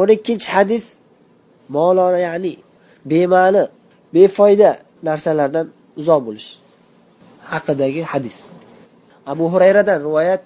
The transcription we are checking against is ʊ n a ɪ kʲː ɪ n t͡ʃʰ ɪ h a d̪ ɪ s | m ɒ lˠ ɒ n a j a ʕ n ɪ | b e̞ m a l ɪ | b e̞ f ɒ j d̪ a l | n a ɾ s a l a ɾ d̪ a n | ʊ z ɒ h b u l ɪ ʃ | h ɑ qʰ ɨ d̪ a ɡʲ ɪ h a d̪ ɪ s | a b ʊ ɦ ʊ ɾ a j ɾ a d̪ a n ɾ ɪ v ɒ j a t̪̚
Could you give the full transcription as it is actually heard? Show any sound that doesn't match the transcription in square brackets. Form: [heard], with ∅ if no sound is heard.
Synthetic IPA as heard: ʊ n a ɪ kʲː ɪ n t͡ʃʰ ɪ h a d̪ ɪ s | m ɒ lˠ ɒ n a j a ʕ n ɪ | b e̞ m a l ɪ | b e̞ f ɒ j d̪ a [∅] | n a ɾ s a l a ɾ d̪ a n | ʊ z ɒ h b [o] l ɪ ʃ | h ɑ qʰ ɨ d̪ a ɡʲ ɪ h a d̪ ɪ s | a b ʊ ɦ ʊ ɾ a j ɾ a d̪ a n ɾ ɪ v ɒ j a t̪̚